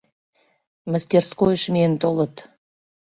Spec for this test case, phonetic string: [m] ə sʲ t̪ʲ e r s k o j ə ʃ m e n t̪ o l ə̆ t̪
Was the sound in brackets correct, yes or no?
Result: yes